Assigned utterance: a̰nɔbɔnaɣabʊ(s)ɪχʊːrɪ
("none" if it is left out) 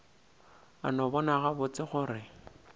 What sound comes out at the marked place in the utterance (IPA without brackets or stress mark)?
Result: t͡s